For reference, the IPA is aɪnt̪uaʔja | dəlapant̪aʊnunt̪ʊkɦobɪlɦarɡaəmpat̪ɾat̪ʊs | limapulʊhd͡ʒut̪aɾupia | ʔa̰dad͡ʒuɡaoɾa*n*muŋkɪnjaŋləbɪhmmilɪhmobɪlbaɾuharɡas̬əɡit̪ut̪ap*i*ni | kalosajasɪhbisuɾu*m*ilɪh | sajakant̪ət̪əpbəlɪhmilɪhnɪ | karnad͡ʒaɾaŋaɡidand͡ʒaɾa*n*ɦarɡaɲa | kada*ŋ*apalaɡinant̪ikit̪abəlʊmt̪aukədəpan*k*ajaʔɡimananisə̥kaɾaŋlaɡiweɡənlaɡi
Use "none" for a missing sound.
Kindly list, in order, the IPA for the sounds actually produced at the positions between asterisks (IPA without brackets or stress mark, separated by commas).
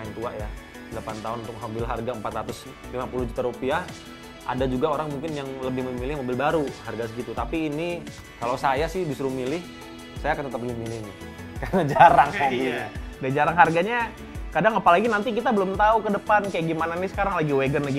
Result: ŋ, iː, m, ŋ, ŋ, k